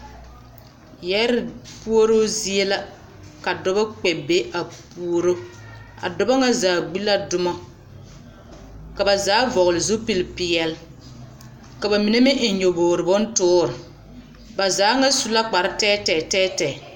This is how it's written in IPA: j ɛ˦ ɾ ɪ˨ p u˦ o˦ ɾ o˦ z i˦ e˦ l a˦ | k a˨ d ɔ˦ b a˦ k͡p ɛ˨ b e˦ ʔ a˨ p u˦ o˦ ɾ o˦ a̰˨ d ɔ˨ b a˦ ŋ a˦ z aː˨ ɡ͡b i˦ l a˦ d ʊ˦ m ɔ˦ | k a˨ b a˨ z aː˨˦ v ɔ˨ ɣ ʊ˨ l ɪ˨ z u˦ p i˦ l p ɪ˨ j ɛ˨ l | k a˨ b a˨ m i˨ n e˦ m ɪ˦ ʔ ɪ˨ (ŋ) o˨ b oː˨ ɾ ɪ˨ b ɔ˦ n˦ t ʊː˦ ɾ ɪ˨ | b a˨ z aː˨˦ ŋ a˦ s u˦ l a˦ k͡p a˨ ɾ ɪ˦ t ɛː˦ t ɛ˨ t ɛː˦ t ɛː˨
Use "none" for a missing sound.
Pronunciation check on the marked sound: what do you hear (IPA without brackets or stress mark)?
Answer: ɲ